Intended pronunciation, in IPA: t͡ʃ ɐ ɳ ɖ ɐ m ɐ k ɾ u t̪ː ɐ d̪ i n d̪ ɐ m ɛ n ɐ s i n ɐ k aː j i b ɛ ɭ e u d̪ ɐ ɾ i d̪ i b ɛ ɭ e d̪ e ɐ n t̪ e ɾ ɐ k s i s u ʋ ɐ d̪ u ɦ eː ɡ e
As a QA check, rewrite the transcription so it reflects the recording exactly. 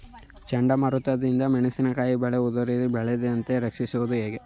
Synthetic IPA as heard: t͡ʃ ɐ ɳ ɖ ɐ m ɐ ɾ u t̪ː ɐ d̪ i n d̪ ɐ m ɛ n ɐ s i n ɐ k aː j i b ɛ ɭ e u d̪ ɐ ɾ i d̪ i b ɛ ɭ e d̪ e ɐ n t̪ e ɾ ɐ k ʂ i s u ʋ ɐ d̪ u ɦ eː ɡ e